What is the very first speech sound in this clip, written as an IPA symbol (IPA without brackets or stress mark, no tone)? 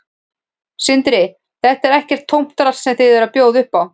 s